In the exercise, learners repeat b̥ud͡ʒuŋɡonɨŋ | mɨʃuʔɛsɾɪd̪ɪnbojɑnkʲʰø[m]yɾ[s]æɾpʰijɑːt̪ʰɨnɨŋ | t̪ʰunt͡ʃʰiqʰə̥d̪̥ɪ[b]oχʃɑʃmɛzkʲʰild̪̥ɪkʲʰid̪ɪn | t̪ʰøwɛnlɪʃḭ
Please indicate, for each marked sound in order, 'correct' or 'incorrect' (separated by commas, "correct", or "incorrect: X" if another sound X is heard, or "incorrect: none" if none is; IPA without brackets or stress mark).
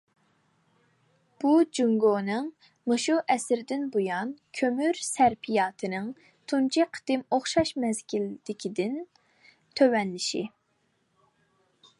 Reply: correct, correct, incorrect: m